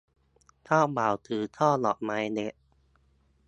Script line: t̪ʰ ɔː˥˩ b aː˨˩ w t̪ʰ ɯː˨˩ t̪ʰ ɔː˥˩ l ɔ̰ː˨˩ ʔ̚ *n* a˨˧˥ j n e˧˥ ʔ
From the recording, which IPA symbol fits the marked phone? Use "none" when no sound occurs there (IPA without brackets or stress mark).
m